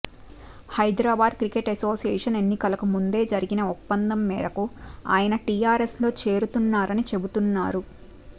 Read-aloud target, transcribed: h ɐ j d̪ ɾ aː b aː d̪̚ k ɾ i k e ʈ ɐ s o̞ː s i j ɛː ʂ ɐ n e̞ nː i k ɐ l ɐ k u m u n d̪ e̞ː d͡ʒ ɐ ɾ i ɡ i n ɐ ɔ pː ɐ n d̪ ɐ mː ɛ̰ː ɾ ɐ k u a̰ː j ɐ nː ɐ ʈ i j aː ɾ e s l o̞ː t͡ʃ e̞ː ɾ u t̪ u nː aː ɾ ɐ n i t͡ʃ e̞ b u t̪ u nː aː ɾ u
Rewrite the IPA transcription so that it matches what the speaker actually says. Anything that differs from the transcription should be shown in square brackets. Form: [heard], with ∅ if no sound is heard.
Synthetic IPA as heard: h ɐ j d̪ ɾ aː b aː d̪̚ k ɾ i k e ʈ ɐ s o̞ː s i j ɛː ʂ ɐ n e̞ nː i k ɐ l ɐ k u m u n d̪ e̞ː d͡ʒ ɐ ɾ i ɡ i n ɐ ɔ pː ɐ n d̪ ɐ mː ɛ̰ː ɾ ɐ k u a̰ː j ɐ [n] ɐ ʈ i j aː ɾ e s l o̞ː t͡ʃ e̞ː ɾ u t̪ u nː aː ɾ ɐ n i t͡ʃ e̞ b u t̪ u nː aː ɾ u